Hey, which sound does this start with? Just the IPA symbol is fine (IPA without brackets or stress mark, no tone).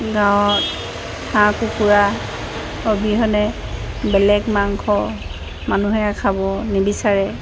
ɡ